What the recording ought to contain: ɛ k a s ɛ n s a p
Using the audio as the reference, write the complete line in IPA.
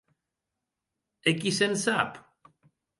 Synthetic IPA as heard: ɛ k i s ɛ n s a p